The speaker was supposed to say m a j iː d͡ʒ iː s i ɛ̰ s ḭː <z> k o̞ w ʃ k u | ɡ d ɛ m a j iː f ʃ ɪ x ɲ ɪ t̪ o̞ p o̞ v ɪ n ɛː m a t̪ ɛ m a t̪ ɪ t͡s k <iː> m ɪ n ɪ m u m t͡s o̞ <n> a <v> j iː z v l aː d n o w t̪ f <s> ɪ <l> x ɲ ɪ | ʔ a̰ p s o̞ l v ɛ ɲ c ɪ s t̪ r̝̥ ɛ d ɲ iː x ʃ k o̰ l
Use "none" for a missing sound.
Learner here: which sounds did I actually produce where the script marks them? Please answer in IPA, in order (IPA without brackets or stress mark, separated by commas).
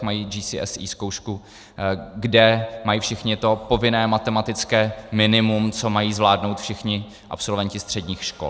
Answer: s, ɛː, m, none, ʃ, none